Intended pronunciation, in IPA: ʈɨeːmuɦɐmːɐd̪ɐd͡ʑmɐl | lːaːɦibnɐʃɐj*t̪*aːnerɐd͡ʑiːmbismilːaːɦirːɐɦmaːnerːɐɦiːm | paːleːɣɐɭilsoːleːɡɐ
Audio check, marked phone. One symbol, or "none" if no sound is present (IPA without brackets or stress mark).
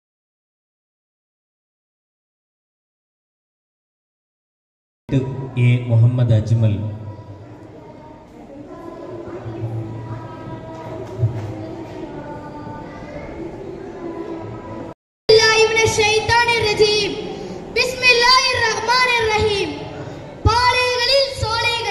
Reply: t̪